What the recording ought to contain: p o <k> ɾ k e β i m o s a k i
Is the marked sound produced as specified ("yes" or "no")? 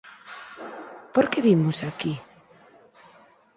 no